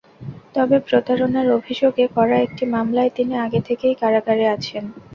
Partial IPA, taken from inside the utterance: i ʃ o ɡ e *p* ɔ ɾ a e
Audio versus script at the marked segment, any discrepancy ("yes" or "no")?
yes